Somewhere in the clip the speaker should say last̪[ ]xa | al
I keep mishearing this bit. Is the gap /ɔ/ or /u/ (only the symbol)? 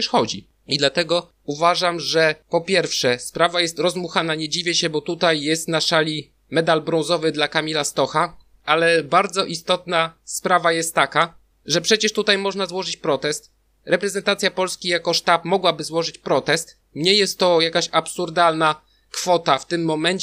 ɔ